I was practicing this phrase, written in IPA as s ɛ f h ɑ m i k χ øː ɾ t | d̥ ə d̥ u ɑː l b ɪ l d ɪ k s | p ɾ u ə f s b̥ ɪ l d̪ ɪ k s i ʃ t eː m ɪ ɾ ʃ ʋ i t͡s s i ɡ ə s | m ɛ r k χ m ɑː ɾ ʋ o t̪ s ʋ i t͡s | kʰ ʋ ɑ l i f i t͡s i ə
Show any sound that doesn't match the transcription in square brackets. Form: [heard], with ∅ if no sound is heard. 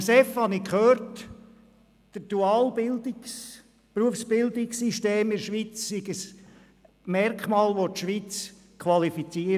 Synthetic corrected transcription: s ɛ f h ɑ [n] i k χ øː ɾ t | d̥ ə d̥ u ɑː l b ɪ l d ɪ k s | p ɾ u ə f s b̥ ɪ l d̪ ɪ k s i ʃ t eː m ɪ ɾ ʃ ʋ i t͡s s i ɡ ə s | m ɛ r k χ m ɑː [l] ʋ o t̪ [ʃ] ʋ i t͡s | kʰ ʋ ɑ l i f i t͡s i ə